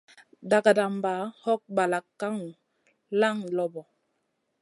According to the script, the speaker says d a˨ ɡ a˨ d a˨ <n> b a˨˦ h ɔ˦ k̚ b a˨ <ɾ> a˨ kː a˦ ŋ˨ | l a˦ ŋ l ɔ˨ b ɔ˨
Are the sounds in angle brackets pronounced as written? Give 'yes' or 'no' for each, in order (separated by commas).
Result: no, no